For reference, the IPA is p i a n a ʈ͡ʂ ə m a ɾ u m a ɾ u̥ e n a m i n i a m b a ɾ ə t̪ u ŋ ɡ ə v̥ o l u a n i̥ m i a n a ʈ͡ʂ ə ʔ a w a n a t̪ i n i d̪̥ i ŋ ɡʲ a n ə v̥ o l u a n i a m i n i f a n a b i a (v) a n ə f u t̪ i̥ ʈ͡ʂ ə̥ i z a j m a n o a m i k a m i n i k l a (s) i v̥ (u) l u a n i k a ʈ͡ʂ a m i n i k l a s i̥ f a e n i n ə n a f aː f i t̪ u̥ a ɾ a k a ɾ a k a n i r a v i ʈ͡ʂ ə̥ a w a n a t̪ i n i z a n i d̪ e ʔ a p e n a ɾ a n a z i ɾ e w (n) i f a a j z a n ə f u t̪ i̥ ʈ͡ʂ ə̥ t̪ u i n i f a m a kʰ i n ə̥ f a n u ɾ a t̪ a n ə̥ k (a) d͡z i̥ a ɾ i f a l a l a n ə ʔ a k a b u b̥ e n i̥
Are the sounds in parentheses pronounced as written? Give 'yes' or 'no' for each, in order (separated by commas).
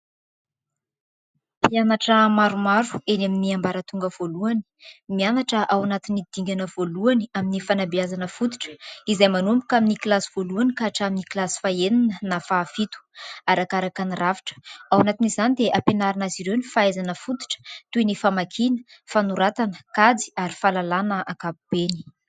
no, yes, no, yes, yes